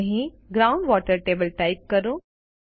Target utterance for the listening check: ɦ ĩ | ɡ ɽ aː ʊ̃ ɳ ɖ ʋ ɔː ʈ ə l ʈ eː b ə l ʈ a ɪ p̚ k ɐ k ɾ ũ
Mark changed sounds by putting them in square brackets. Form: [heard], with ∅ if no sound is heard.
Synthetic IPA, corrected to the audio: ɦ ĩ | ɡ [ɾ] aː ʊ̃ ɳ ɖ ʋ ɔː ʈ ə [ɾ] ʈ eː b ə l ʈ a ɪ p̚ k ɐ [∅] ɾ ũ